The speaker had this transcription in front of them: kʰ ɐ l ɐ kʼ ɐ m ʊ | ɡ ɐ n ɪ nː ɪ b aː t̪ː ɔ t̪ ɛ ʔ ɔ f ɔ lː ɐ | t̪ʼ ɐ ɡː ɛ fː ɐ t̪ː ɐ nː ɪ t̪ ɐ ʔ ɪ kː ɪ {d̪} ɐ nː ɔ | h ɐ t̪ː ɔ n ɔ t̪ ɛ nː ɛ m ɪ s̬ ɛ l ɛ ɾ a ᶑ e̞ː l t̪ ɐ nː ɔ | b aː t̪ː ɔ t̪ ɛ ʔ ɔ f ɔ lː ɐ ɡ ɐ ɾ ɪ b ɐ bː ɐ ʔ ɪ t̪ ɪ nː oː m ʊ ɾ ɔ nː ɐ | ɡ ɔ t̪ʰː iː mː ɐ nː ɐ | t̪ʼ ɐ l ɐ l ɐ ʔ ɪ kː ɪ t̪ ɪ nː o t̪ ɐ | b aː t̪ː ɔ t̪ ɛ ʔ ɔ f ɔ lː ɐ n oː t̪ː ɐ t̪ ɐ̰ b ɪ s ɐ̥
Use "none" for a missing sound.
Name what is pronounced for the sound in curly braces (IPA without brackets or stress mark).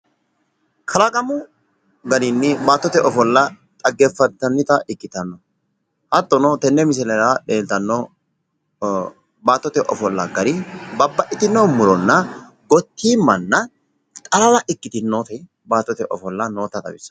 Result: t̪